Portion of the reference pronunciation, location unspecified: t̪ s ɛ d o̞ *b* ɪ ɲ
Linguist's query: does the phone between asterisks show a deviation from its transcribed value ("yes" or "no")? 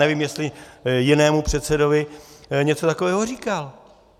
yes